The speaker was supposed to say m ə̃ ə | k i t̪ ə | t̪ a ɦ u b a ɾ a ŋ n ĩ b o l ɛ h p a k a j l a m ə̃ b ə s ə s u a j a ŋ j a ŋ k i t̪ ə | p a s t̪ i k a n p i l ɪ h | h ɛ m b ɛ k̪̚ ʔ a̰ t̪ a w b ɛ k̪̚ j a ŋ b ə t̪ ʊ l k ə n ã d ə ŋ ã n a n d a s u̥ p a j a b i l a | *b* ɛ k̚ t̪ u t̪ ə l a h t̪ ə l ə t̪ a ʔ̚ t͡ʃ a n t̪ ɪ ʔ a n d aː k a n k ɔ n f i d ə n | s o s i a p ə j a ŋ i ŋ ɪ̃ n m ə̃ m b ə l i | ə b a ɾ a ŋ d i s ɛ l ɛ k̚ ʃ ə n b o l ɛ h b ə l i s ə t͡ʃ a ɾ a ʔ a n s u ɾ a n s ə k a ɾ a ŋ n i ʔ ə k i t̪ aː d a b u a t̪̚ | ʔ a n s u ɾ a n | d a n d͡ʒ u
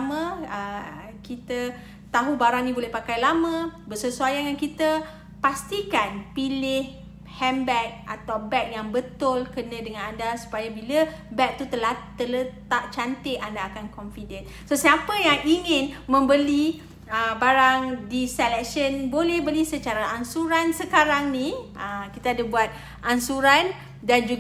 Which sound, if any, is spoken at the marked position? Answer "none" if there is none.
b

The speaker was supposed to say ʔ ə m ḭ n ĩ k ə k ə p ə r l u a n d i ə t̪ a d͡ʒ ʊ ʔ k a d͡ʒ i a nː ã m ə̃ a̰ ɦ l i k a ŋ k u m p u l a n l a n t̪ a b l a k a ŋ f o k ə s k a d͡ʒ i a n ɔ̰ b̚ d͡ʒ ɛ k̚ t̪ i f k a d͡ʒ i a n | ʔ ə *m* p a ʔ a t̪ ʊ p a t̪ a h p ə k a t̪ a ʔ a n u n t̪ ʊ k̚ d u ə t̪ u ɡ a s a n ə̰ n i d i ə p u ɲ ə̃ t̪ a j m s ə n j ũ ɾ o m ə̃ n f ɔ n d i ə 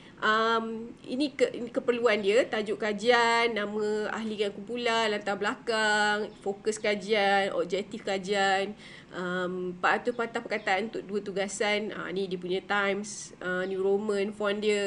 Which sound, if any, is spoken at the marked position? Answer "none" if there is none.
m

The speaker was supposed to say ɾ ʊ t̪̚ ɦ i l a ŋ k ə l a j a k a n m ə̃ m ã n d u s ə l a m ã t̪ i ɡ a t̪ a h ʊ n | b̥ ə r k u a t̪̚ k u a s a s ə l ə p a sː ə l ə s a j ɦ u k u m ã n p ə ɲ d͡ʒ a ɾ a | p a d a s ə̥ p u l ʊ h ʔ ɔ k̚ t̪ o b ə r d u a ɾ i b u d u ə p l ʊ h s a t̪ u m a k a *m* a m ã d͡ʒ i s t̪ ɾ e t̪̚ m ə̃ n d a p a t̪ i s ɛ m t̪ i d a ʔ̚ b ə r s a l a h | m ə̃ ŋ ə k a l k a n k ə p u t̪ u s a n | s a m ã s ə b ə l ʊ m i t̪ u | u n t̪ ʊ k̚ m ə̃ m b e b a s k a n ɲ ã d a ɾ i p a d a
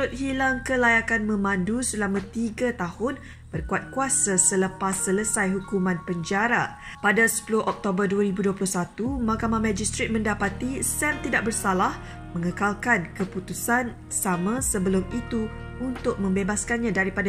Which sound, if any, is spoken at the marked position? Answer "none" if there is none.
m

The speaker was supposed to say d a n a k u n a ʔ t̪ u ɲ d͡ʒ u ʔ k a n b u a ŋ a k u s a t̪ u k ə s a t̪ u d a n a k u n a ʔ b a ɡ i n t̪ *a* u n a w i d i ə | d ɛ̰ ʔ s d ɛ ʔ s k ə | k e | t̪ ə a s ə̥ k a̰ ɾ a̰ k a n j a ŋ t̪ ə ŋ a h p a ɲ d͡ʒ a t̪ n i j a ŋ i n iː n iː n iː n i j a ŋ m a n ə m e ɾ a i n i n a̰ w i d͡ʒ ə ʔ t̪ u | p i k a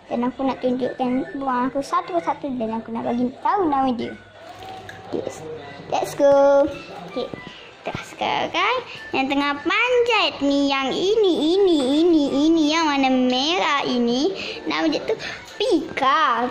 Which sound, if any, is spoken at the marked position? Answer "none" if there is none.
a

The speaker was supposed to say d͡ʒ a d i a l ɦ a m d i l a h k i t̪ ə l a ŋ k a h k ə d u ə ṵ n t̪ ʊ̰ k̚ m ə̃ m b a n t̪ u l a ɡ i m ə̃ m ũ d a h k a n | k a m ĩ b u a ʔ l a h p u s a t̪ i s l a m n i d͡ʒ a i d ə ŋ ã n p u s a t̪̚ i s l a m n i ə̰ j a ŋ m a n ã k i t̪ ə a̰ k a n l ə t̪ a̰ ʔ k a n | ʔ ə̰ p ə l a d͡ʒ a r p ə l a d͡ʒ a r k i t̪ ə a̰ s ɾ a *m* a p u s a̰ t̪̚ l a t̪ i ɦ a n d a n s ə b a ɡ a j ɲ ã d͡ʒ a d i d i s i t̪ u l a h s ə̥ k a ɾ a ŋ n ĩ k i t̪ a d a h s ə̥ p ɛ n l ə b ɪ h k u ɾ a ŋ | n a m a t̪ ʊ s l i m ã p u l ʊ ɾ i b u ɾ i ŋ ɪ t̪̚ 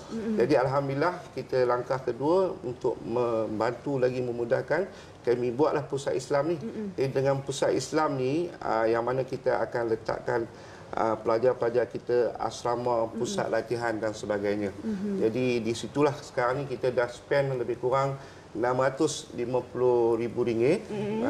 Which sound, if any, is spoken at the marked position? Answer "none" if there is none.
m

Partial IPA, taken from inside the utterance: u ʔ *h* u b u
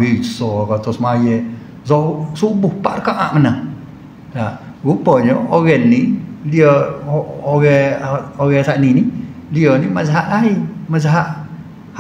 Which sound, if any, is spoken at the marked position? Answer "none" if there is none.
s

